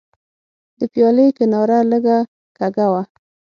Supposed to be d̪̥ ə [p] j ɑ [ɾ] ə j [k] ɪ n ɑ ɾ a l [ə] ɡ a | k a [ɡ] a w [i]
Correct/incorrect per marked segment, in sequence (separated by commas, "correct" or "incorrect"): correct, incorrect, correct, correct, correct, incorrect